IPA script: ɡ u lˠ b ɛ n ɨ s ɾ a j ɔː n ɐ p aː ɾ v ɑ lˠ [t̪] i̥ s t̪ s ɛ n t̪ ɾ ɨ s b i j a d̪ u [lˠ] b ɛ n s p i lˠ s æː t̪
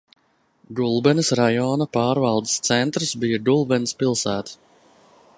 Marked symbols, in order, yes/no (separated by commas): no, yes